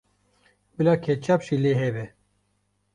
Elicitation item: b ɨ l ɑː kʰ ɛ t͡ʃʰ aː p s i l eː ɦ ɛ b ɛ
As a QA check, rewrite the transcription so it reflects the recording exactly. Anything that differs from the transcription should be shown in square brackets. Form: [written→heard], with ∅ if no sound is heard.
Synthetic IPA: b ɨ l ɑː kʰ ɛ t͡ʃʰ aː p [s→ʃ] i l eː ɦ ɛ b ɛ